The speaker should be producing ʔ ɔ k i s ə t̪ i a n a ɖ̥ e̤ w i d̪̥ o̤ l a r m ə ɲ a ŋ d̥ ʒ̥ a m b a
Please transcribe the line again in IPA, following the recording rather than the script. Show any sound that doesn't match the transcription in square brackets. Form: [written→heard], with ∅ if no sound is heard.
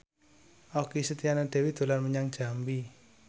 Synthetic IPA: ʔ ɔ k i s ə t̪ i a n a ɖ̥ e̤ w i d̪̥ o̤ l a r m ə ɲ a ŋ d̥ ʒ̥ a m b [a→i]

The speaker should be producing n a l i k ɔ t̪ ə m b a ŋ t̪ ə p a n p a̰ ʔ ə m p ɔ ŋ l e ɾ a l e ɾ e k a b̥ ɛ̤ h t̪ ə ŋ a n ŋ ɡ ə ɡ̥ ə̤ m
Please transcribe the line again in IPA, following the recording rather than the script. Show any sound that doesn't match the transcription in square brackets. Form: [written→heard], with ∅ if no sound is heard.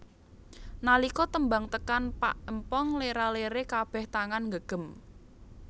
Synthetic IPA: n a l i k ɔ t̪ ə m b a ŋ t̪ ə [p→k] a n p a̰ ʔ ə m p ɔ ŋ l e ɾ a l e ɾ e k a b̥ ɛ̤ h t̪ [ə→a] ŋ a n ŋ ɡ ə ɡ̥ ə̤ m

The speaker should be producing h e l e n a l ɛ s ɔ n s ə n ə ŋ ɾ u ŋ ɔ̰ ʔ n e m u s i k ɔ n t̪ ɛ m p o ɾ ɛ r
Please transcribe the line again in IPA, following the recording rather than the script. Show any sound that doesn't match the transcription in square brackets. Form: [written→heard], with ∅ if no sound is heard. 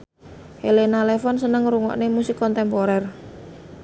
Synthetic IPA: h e l e n a l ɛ [s→f] ɔ n s ə n ə ŋ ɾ u ŋ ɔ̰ ʔ n e m u s i k ɔ n t̪ ɛ m p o ɾ ɛ r

